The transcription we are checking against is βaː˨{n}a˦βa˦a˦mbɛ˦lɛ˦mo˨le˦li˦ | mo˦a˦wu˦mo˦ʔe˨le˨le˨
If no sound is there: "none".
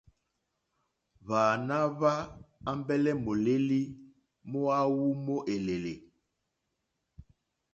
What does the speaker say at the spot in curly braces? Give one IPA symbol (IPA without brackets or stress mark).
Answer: n